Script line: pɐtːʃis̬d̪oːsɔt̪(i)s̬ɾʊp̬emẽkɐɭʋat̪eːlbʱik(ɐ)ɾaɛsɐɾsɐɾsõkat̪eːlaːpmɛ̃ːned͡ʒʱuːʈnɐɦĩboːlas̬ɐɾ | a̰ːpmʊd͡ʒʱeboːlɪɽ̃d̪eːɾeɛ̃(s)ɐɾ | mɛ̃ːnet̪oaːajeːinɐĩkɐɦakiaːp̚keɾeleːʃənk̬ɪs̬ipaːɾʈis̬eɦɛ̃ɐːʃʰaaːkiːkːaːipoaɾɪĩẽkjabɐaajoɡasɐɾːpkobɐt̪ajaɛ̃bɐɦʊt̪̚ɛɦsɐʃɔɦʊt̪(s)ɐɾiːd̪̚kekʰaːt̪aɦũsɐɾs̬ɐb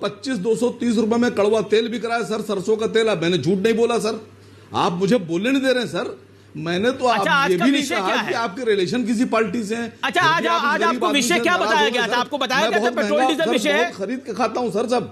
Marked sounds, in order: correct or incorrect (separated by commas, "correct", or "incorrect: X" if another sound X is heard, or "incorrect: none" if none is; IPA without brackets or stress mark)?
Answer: incorrect: iː, correct, correct, incorrect: x